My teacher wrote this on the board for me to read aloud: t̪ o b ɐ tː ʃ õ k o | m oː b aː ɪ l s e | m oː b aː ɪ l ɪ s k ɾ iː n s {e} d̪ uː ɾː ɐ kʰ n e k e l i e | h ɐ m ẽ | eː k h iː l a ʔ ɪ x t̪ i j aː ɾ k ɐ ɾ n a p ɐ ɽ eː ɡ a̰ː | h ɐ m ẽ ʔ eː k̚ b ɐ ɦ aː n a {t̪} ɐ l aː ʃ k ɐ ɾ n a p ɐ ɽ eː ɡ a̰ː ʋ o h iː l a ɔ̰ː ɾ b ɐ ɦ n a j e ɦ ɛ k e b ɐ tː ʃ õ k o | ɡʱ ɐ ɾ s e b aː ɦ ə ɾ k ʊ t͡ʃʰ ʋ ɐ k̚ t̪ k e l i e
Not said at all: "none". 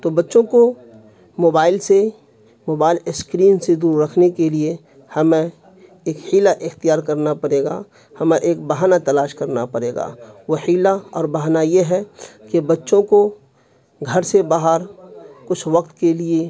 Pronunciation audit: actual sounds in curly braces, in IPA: e, t̪

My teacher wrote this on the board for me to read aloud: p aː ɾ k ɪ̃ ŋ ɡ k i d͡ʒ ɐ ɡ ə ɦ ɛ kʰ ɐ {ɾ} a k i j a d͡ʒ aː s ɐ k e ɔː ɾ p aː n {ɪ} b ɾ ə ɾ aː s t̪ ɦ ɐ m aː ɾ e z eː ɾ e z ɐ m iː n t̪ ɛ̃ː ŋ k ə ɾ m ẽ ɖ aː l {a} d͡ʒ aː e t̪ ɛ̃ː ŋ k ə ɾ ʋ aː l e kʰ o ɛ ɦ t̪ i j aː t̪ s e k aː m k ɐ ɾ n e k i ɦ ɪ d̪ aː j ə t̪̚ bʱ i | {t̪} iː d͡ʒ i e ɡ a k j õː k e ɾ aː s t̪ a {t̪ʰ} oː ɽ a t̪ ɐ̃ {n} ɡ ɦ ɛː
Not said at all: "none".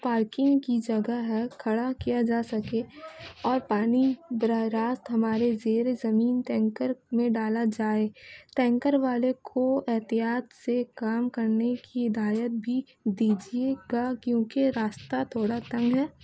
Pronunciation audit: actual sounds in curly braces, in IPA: ɽ, i, a, d̪, t̪ʰ, ŋ

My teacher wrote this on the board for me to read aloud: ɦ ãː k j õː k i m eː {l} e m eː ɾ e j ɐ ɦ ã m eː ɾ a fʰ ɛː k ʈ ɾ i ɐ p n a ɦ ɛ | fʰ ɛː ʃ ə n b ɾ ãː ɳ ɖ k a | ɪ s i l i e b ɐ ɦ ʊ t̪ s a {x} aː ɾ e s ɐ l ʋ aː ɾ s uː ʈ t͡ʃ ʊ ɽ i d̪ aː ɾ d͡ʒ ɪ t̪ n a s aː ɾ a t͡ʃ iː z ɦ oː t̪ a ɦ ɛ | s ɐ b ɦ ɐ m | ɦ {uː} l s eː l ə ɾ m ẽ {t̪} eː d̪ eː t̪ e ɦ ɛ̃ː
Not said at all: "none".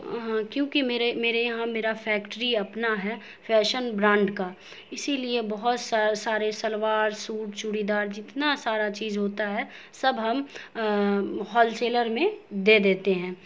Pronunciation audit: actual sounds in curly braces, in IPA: ɾ, s, ɔː, d̪

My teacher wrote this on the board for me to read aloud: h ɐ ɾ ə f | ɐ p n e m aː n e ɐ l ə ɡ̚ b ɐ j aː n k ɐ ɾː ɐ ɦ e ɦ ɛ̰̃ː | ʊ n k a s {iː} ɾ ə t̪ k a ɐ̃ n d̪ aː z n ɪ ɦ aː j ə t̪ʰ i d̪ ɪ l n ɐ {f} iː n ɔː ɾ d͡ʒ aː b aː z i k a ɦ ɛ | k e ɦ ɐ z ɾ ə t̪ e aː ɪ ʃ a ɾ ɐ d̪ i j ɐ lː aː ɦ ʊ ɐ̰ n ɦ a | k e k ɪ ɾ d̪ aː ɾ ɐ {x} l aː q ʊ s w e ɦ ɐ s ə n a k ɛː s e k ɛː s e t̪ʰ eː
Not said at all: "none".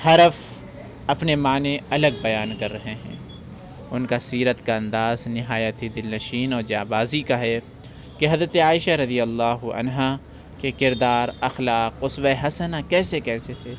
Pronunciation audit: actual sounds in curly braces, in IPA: iː, ʃ, x

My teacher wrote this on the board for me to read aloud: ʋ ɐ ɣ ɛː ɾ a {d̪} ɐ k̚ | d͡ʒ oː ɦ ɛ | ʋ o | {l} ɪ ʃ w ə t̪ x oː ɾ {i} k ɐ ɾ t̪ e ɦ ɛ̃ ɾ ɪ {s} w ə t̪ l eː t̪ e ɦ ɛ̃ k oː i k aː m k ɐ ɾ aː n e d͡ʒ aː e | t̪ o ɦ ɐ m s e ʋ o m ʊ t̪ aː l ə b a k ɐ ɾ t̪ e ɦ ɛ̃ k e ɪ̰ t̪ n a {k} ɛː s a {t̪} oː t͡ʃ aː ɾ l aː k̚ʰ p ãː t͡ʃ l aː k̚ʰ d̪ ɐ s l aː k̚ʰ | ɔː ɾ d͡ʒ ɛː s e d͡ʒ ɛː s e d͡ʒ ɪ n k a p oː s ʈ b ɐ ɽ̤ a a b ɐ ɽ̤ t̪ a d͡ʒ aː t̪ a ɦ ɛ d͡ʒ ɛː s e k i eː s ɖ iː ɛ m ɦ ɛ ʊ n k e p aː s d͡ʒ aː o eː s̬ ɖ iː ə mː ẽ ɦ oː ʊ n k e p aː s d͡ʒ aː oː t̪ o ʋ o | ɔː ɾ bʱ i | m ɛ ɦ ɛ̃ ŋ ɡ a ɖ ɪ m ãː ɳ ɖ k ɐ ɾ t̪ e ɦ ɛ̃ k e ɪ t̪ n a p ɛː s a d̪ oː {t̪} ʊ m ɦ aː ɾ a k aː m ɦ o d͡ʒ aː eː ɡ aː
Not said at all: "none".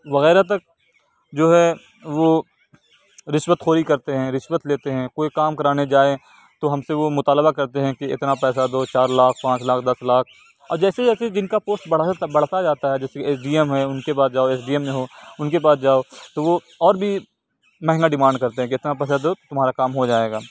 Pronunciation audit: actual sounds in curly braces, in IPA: t̪, ɾ, i, ʃ, p, d̪, t̪

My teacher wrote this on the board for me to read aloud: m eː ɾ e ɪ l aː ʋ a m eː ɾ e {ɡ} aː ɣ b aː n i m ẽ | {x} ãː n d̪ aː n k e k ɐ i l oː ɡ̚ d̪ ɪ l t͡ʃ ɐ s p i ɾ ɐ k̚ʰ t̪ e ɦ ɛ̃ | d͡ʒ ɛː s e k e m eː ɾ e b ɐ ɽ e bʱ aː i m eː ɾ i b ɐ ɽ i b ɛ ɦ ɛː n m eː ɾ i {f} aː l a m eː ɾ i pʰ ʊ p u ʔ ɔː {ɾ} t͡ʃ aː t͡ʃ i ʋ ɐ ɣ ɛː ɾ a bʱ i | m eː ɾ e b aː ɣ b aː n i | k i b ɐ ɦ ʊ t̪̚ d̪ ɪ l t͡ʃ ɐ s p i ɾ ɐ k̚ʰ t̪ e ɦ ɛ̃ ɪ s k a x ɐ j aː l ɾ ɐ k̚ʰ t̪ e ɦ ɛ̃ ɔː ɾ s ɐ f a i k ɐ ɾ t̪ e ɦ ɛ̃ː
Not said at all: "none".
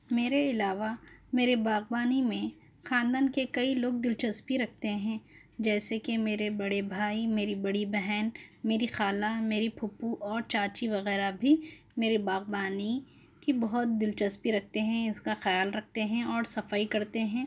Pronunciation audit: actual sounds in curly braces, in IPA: b, x, x, ɾ

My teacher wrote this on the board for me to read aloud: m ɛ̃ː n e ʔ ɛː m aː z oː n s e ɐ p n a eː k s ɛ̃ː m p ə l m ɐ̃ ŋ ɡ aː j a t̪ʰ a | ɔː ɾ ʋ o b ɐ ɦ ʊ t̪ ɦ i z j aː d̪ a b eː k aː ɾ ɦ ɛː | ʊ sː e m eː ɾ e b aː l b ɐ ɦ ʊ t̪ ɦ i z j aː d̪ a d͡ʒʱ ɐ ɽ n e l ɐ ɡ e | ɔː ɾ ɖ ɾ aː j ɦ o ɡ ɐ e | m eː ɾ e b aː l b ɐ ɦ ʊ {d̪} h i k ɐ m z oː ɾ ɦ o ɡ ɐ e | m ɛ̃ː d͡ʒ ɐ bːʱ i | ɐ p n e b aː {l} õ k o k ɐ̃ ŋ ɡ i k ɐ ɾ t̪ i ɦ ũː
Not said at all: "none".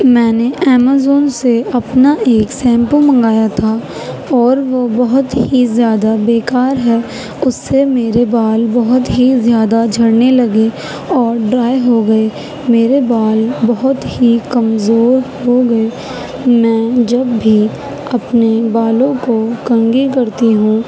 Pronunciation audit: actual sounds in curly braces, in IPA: t̪, l

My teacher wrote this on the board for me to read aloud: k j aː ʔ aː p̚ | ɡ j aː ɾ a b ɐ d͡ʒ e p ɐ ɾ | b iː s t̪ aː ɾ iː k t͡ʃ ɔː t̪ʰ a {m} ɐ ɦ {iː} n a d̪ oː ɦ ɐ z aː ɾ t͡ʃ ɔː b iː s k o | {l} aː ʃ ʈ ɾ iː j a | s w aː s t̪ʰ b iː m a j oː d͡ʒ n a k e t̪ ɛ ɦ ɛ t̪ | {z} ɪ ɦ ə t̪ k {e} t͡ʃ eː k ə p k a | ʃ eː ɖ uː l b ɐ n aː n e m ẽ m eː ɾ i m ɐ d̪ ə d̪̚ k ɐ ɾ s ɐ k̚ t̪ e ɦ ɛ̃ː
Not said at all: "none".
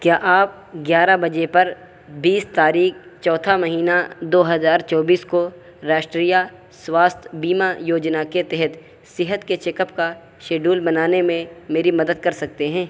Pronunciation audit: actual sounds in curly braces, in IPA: m, iː, ɾ, s, e

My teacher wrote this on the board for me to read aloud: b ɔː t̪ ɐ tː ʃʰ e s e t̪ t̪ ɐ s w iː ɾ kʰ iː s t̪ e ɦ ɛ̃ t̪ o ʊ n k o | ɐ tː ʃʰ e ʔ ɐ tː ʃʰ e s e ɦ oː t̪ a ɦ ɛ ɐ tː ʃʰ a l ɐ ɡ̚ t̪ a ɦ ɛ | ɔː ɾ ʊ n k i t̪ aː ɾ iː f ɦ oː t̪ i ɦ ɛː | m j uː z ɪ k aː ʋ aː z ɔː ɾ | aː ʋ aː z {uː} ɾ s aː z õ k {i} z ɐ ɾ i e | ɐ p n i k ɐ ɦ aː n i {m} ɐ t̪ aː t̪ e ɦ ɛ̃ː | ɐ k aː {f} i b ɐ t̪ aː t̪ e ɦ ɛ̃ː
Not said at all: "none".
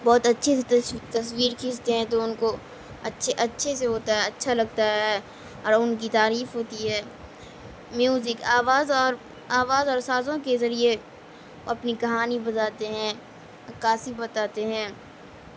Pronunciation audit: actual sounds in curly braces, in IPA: ɔː, e, b, s

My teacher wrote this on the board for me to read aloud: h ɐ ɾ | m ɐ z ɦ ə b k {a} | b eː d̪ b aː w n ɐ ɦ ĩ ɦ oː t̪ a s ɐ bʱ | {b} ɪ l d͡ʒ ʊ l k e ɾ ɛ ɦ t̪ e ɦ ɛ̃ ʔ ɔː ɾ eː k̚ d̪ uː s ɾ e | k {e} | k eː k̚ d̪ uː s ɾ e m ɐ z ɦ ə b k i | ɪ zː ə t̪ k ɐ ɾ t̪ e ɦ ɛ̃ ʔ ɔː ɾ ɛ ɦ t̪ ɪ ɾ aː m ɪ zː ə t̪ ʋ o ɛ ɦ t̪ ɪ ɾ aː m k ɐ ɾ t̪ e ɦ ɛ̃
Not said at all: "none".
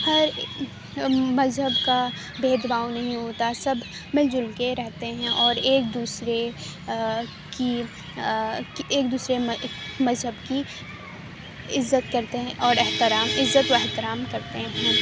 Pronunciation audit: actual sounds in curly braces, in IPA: a, m, i

